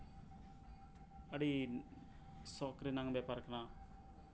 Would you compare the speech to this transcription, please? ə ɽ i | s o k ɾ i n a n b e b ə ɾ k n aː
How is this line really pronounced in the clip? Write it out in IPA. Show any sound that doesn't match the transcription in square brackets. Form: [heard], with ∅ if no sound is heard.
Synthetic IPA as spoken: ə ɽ i | s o k ɾ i n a [ŋ] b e [p] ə ɾ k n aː

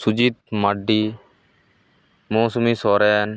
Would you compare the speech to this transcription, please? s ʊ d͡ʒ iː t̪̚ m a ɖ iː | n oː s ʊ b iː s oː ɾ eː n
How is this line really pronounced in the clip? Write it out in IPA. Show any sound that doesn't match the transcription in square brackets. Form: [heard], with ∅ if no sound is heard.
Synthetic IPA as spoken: s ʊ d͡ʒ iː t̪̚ m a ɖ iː | [m] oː s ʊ [m] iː s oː ɾ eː n

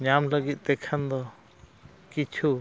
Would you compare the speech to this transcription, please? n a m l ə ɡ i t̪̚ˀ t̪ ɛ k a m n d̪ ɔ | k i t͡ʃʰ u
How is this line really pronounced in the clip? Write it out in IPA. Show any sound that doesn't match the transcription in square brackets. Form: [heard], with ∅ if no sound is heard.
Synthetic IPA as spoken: [ɲ] a m l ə ɡ i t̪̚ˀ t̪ ɛ [kʰ] a [∅] n d̪ ɔ | k i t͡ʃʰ u

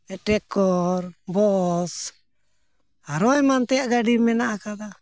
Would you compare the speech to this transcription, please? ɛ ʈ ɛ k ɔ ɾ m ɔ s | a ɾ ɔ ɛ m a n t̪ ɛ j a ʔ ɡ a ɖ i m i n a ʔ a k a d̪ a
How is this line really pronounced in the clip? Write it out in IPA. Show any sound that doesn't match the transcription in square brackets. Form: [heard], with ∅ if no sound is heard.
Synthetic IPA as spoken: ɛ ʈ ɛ k ɔ ɾ [b] ɔ s | a ɾ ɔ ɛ m a n t̪ ɛ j a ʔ ɡ a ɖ i m [ɛ] n a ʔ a k a d̪ a

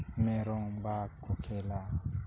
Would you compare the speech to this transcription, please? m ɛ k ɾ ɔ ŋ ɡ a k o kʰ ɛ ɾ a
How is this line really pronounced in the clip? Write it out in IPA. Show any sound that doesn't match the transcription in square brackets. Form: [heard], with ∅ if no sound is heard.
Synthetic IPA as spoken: m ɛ [∅] ɾ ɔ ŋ [b] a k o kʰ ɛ [l] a

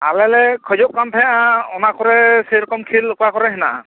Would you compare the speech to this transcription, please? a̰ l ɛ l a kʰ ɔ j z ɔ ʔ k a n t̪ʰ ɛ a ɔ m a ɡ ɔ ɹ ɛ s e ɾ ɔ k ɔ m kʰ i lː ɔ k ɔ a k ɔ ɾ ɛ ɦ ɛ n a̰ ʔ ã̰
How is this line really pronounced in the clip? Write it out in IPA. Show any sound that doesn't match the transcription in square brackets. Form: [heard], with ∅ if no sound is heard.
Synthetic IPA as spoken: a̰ l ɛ l [ɛ] kʰ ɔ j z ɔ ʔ k a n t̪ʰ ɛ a ɔ [n] a [k] ɔ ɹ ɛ s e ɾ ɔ k ɔ m kʰ i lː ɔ k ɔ a k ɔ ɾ ɛ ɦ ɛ n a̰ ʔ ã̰

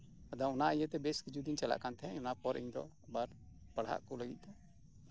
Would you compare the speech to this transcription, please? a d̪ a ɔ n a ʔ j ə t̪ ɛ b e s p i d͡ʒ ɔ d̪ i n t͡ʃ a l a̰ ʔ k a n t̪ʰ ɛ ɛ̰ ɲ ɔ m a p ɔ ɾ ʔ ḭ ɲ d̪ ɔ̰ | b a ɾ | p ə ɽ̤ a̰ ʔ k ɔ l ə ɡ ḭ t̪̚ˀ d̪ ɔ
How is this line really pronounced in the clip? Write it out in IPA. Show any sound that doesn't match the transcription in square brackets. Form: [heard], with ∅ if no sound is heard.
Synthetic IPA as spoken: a d̪ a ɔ n a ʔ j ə t̪ ɛ b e s [k] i d͡ʒ [u] d̪ i n t͡ʃ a l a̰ ʔ k a n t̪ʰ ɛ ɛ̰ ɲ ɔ [n] a p ɔ ɾ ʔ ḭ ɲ d̪ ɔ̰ | b a ɾ | p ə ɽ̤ a̰ ʔ k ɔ l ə ɡ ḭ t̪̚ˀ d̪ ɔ

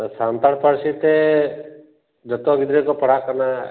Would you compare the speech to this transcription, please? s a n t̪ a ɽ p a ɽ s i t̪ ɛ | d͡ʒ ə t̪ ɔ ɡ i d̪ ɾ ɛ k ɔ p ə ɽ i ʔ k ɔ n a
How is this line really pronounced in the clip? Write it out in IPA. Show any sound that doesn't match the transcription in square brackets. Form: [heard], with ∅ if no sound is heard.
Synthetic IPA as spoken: s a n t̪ a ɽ p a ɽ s i t̪ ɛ | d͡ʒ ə t̪ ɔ ɡ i d̪ ɾ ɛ k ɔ p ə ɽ [a] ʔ k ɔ n a

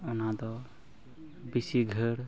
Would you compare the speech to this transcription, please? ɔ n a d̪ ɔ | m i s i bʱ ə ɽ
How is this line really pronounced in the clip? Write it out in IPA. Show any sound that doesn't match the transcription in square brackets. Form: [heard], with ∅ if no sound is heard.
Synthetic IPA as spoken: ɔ n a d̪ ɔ | [b] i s i [ɡʱ] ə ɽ

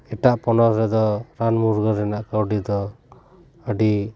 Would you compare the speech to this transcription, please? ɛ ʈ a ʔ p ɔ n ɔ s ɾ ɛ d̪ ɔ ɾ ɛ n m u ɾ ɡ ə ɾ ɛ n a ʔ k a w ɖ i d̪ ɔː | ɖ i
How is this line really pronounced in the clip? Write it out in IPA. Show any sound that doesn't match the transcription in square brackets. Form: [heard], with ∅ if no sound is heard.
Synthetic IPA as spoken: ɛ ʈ a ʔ p ɔ n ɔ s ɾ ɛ d̪ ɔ ɾ [a] n m u ɾ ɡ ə ɾ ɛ n a ʔ k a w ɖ i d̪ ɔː | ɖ i

